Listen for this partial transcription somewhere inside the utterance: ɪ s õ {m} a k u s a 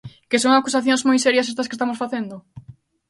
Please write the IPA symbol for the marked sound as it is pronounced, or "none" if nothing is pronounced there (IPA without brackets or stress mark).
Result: ŋ